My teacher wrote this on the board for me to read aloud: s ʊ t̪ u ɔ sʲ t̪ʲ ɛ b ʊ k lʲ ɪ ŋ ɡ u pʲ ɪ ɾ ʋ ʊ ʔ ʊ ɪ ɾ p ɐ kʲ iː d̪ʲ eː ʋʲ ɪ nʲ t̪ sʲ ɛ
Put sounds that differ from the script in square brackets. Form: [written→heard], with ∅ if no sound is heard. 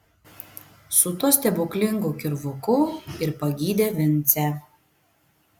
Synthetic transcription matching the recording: s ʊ t̪ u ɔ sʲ t̪ʲ ɛ b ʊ k lʲ ɪ ŋ ɡ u [pʲ→kʲ] ɪ ɾ ʋ ʊ [ʔ→k] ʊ ɪ ɾ p ɐ [kʲ→ɡʲ] iː d̪ʲ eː ʋʲ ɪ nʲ t̪ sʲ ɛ